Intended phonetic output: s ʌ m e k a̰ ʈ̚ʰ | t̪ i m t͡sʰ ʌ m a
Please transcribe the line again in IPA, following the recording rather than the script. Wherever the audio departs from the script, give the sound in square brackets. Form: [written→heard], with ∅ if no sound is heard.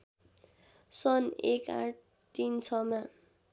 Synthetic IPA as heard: s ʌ [m→n] e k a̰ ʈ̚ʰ | t̪ i [m→n] t͡sʰ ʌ m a